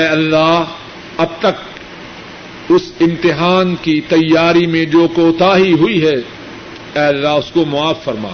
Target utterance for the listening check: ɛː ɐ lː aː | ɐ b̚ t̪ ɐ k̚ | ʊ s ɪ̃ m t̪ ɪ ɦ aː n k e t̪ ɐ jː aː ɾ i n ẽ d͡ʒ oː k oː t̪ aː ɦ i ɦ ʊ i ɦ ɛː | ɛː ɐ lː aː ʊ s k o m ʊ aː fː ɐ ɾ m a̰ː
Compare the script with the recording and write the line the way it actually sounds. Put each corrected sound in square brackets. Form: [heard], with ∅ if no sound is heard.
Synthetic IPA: ɛː ɐ lː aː | ɐ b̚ t̪ ɐ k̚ | ʊ s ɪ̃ m t̪ ɪ ɦ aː n k [i] t̪ ɐ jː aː ɾ i [m] ẽ d͡ʒ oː k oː t̪ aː ɦ i ɦ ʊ i ɦ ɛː | ɛː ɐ lː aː ʊ s k o m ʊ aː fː ɐ ɾ m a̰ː